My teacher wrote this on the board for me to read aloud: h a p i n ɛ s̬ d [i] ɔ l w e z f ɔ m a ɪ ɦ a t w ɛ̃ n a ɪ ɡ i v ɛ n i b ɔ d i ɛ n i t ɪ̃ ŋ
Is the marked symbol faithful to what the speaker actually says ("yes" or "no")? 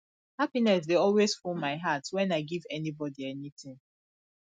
no